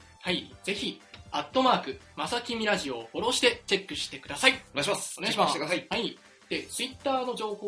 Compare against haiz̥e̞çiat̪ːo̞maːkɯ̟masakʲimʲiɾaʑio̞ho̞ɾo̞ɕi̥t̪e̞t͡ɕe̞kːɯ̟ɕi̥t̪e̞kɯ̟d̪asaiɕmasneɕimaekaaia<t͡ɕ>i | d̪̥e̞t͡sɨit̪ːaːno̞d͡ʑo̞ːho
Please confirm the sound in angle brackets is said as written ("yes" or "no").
no